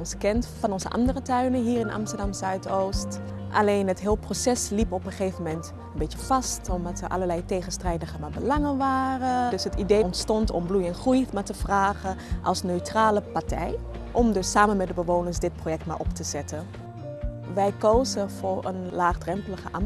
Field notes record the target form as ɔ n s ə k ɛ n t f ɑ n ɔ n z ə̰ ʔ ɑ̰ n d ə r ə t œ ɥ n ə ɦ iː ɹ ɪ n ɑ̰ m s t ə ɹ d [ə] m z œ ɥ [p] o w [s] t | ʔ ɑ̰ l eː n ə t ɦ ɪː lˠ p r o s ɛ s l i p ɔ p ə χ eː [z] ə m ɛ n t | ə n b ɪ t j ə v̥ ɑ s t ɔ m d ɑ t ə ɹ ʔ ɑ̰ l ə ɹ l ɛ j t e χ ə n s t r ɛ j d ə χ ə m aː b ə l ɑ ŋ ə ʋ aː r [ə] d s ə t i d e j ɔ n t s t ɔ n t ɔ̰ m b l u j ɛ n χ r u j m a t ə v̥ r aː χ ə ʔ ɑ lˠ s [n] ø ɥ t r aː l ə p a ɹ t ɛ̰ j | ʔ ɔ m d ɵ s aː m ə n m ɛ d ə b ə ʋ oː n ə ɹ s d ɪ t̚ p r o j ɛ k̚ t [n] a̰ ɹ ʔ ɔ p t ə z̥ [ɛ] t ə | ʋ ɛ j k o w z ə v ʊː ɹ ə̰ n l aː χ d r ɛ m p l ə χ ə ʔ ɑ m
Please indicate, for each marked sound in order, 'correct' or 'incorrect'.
incorrect: ɑ, incorrect: t, correct, incorrect: v, correct, correct, incorrect: m, correct

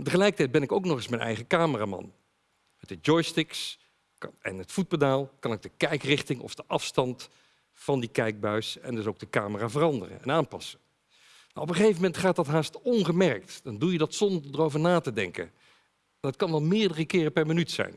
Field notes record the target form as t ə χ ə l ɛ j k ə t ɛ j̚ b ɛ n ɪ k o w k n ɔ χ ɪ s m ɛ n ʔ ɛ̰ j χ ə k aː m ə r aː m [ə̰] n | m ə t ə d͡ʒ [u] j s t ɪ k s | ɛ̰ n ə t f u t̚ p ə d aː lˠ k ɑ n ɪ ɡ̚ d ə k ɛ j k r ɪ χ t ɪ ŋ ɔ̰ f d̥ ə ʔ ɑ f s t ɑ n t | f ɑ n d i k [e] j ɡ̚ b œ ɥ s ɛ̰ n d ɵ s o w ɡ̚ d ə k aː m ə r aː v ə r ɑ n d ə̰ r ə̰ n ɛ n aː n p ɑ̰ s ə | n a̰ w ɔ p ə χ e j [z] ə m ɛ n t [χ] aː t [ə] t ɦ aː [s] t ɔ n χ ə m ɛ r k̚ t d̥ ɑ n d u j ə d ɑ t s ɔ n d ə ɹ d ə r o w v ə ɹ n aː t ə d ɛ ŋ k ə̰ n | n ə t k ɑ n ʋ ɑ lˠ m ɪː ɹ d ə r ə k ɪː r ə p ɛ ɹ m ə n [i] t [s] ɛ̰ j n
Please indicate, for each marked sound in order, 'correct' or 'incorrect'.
incorrect: ɑ̰, incorrect: ɔ, incorrect: ɛ, incorrect: v, correct, incorrect: ɑ, correct, incorrect: y, correct

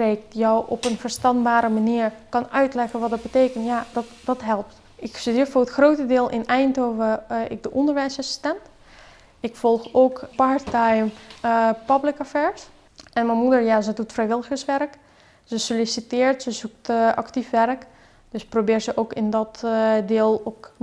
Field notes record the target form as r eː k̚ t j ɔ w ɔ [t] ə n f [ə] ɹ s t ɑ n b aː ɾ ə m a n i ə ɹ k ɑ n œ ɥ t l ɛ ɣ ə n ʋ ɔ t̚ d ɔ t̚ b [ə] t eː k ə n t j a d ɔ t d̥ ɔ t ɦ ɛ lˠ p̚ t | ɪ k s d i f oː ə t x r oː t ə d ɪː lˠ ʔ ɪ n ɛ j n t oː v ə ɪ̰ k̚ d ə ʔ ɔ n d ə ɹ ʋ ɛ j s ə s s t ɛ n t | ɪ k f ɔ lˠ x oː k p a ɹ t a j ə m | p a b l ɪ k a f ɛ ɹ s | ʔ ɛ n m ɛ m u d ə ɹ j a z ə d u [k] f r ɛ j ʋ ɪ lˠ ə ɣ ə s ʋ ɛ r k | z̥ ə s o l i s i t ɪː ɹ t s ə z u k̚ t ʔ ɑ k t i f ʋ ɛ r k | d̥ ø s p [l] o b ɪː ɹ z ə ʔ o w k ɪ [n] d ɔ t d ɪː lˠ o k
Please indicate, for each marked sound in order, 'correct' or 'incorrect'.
incorrect: p, correct, correct, incorrect: t, incorrect: r, correct

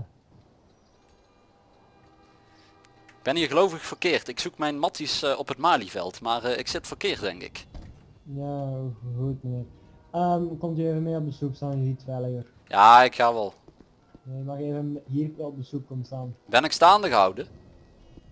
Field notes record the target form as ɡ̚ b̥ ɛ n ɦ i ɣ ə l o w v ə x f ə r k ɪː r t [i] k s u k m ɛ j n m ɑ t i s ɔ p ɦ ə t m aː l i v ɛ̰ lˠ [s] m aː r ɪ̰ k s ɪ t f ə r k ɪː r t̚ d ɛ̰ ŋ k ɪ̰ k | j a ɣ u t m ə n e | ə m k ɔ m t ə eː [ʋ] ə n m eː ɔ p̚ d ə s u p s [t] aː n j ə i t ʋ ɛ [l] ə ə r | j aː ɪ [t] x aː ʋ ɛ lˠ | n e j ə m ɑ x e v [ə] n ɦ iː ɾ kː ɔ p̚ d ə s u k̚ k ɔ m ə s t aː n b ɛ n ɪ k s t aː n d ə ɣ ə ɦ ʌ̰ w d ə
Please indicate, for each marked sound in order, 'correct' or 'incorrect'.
incorrect: ɪ, incorrect: t, incorrect: v, correct, correct, incorrect: k, correct

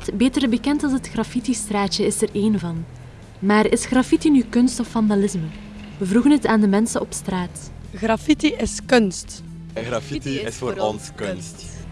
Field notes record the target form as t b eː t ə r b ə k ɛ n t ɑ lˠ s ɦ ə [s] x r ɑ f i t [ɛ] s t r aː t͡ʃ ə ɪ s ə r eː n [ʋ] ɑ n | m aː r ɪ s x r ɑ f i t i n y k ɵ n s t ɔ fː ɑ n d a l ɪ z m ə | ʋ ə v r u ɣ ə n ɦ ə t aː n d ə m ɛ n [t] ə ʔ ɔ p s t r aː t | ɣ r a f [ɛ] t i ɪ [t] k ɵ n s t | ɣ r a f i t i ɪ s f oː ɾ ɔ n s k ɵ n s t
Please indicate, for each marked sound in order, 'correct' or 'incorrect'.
incorrect: t, incorrect: i, incorrect: v, incorrect: s, incorrect: i, incorrect: s

